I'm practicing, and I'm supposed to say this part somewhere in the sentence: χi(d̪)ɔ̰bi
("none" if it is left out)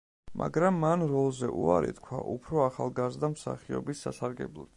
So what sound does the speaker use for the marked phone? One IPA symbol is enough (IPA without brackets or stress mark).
none